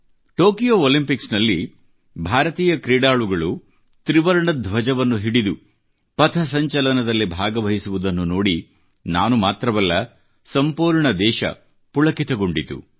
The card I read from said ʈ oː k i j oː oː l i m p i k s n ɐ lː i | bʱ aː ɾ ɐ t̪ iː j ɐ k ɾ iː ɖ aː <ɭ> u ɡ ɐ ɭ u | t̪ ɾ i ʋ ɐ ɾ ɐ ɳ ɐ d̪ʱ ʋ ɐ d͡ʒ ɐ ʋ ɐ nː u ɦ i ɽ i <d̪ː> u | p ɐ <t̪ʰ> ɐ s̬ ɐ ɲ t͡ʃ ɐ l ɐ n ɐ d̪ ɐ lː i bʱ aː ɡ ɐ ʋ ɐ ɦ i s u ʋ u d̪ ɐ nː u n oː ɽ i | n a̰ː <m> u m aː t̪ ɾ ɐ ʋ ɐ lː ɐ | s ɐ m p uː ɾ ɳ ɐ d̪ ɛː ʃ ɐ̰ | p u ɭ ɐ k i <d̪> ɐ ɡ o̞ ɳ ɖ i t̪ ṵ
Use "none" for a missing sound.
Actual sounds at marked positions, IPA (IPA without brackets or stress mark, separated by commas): ɭ, d̪, t̪ʰ, n, t̪